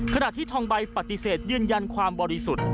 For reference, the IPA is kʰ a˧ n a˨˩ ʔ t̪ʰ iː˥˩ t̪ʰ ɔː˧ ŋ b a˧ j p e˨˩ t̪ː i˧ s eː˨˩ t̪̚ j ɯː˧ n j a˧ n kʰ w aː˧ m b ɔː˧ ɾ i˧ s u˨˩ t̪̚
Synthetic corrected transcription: kʰ a˧ n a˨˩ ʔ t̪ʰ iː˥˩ t̪ʰ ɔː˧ ŋ b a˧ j p a˨˩ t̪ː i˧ s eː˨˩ t̪̚ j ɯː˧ n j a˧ n kʰ w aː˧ m b ɔː˧ ɾ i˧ s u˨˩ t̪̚